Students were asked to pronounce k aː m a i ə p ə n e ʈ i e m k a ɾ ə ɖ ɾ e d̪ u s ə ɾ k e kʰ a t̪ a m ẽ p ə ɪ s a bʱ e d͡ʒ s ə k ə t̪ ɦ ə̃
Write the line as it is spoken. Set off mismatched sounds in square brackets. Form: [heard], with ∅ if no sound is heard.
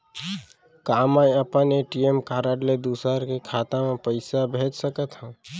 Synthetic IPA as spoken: k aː m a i ə p ə n e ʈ i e m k a ɾ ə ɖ [l] e d̪ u s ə ɾ k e kʰ a t̪ a m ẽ p ə ɪ s a bʱ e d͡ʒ s ə k ə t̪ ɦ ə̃

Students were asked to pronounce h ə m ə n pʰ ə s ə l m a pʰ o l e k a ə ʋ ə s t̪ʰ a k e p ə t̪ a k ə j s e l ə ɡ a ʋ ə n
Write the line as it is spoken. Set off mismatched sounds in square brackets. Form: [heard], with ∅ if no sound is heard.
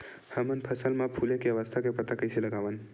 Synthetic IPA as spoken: h ə m ə n pʰ ə s ə l m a pʰ [u] l e k [e] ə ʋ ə s t̪ʰ a k e p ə t̪ a k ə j s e l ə ɡ a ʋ ə n

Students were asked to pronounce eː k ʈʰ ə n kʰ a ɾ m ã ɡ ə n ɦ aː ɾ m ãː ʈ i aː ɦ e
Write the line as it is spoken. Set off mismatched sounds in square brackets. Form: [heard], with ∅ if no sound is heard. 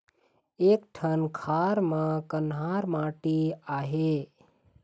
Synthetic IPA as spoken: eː k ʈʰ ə n kʰ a ɾ m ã [k] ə n ɦ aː ɾ m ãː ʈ i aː ɦ e

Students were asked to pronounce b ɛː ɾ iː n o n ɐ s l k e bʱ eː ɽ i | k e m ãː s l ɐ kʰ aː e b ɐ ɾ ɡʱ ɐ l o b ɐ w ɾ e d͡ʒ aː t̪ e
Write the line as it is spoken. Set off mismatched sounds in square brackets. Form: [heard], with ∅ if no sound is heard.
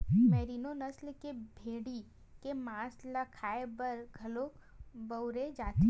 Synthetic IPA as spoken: [m] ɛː ɾ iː n o n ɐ s l k e bʱ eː ɽ i | k e m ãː s l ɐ kʰ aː e b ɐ ɾ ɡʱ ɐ l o b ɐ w ɾ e d͡ʒ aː t̪ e

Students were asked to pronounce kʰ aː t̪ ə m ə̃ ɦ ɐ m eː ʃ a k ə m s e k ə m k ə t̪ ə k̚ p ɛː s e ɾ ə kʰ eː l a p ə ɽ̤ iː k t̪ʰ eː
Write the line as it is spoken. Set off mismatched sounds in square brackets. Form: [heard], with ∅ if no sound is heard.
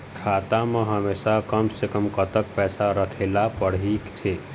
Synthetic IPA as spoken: kʰ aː t̪ [a] m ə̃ ɦ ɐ m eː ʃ a k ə m s e k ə m k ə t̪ ə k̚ p ɛː s [a] ɾ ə kʰ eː l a p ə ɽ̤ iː k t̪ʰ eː

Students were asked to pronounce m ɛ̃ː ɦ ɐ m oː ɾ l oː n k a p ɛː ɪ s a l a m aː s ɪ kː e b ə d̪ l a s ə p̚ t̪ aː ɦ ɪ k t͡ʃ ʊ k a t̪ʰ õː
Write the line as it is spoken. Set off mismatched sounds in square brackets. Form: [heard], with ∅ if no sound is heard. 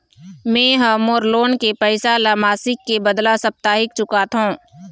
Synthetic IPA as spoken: m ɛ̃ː ɦ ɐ m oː ɾ l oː n k [e] p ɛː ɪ s a l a m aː s ɪ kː e b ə d̪ l a s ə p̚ t̪ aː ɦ ɪ k t͡ʃ ʊ k a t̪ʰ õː

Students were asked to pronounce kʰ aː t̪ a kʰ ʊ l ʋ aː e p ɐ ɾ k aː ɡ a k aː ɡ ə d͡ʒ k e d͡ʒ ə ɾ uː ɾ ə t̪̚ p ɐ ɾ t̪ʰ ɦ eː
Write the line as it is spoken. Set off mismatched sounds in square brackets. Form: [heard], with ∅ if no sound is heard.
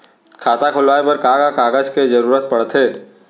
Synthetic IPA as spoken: kʰ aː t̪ a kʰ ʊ l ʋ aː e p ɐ ɾ k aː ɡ a k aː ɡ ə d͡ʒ k e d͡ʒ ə ɾ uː ɾ ə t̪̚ p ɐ [ɽ] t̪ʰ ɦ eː

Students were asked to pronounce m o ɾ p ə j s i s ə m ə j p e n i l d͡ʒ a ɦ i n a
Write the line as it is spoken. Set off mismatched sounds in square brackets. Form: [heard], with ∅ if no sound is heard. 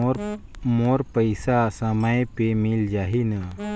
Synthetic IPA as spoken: m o ɾ p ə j s [a] s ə m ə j p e [m] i l d͡ʒ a ɦ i n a

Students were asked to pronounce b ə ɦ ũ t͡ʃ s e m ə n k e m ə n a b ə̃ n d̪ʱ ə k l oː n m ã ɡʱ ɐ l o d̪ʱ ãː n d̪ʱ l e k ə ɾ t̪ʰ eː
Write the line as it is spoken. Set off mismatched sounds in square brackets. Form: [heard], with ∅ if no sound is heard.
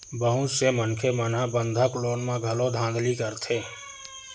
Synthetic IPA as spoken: b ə ɦ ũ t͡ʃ s e m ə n [kʰ] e m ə n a b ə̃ n d̪ʱ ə k l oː n m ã ɡʱ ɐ l o d̪ʱ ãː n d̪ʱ l [i] k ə ɾ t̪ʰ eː

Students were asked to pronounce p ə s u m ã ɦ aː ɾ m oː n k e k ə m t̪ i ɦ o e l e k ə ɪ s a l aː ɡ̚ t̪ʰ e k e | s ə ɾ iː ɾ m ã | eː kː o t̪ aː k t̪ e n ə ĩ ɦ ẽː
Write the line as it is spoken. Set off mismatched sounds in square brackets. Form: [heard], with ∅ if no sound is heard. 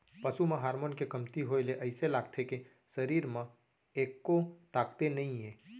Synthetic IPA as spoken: p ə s u m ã ɦ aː ɾ m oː n k e k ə m t̪ i ɦ o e l e [ʔ] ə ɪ s [e] l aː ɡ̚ t̪ʰ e k e | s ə ɾ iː ɾ m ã | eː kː o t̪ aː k t̪ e n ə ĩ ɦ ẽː

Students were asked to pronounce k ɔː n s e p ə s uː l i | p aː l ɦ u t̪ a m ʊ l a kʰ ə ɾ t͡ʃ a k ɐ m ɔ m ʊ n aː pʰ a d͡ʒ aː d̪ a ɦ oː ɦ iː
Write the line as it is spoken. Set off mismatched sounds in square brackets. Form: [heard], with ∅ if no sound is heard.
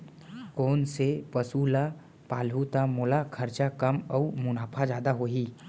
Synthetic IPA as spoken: k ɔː n s e p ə s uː l [a] | p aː l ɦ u t̪ a m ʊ l a kʰ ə ɾ t͡ʃ a k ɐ m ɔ m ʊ n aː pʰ a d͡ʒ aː d̪ a ɦ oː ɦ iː

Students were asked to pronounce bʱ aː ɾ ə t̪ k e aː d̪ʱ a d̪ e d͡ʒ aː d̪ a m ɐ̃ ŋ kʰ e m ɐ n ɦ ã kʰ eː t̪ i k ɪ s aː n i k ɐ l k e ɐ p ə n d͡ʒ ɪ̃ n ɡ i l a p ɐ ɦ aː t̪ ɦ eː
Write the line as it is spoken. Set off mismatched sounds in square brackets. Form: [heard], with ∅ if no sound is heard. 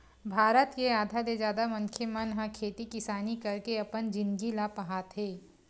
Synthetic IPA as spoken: bʱ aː ɾ ə t̪ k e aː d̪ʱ a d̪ e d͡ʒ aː d̪ a m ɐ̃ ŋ kʰ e m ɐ n ɦ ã kʰ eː t̪ i k ɪ s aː n i k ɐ [ɾ] k e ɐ p ə n d͡ʒ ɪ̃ n ɡ i l a p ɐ ɦ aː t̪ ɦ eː

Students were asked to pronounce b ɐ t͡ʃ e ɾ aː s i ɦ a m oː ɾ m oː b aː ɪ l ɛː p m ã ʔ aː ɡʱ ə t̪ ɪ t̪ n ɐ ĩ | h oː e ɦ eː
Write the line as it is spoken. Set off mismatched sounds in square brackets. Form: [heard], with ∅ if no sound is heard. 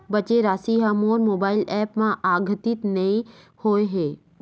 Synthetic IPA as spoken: b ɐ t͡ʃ e ɾ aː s i ɦ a m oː ɾ m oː b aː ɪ l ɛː p m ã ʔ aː ɡʱ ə t̪ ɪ t̪ n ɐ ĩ | h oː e ɦ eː

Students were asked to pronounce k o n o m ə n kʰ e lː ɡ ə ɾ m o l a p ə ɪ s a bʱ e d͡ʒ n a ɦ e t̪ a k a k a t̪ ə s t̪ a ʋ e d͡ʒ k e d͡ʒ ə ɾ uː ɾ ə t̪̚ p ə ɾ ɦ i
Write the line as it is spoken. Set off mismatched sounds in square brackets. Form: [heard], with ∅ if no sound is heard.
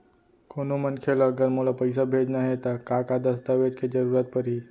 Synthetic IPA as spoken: k o n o m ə n kʰ e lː ɡ ə ɾ m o l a p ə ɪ s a bʱ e d͡ʒ n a ɦ e t̪ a k a k a [d̪] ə s t̪ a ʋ e d͡ʒ k e d͡ʒ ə ɾ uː ɾ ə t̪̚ p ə ɾ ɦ i

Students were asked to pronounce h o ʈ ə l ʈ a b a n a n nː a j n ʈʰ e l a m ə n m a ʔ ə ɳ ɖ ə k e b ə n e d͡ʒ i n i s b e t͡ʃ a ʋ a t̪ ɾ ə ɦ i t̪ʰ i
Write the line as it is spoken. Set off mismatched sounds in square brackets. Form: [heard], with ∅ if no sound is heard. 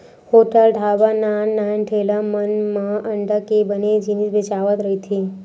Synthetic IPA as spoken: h o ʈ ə l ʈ a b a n a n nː a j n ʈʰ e l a m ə n m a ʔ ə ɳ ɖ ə k e b ə n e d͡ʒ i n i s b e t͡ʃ a ʋ [ə] t̪ ɾ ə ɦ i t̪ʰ i

